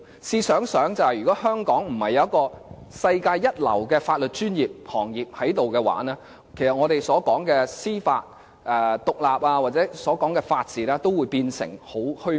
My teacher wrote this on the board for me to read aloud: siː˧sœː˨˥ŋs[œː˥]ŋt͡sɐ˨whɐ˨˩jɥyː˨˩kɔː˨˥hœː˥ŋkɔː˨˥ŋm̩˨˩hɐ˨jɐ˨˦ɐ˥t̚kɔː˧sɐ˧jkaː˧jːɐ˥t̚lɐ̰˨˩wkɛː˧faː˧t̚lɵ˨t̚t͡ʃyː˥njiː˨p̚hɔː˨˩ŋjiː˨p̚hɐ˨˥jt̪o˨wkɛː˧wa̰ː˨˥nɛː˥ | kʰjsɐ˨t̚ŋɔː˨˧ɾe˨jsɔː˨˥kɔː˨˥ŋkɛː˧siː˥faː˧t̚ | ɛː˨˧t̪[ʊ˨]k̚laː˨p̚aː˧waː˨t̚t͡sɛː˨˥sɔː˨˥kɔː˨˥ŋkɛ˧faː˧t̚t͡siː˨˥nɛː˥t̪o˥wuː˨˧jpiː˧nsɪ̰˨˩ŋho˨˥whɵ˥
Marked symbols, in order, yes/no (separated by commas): no, yes